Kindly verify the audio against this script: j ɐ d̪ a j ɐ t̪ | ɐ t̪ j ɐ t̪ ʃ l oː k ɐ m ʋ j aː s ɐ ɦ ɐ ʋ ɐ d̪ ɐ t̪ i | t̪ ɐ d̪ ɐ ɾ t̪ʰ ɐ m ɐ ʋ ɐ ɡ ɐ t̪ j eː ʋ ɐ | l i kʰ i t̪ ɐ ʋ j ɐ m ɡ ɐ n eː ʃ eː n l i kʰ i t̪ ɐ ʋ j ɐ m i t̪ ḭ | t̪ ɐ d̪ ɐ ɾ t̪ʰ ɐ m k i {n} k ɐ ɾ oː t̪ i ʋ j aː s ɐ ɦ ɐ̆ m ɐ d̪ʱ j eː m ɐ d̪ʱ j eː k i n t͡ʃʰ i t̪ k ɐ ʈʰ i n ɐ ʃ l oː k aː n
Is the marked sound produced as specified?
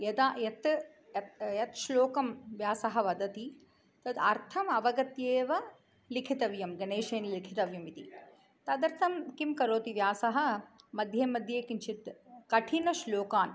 no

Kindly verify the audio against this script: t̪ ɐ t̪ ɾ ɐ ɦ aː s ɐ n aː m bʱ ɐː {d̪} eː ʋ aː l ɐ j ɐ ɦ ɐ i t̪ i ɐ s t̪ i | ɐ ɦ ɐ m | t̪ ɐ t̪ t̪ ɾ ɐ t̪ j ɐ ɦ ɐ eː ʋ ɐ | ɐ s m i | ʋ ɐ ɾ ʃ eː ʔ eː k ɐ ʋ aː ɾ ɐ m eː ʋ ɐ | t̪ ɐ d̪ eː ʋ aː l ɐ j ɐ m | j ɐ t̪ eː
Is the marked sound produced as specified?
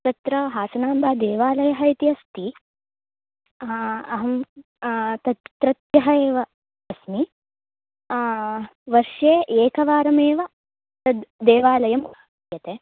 yes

